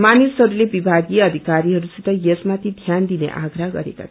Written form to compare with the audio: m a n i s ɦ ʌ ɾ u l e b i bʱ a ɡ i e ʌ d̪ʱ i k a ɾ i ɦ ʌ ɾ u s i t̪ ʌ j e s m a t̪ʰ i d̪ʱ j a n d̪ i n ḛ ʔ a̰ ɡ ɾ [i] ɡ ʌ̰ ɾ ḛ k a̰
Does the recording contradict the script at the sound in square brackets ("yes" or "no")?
yes